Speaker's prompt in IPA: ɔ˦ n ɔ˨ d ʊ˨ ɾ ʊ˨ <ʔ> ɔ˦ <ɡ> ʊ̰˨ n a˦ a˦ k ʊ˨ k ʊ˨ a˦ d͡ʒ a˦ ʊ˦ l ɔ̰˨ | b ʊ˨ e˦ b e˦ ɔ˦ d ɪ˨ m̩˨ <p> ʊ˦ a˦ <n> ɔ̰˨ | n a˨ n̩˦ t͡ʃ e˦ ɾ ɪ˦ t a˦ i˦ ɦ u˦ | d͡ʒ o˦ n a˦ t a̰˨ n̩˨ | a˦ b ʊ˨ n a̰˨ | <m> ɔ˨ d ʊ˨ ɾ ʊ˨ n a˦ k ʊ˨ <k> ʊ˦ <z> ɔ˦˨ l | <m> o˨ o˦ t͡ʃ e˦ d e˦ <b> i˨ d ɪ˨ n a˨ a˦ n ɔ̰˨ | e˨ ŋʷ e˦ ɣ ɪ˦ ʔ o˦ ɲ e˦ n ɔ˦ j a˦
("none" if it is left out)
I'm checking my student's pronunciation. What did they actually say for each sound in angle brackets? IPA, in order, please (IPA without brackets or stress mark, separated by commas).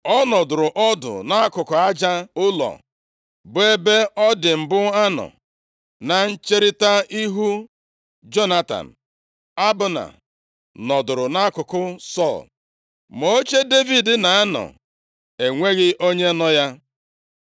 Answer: ʔ, d, b, n, n, k, s, m, v